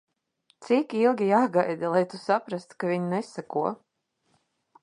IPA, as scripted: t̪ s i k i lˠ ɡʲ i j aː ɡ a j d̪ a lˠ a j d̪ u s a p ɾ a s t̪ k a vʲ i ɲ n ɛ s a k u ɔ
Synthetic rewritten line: t̪ s i k i lˠ ɡʲ i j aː ɡ a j d̪ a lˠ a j t̪ u s a p ɾ a s t̪ k a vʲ i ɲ n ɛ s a k u ɔ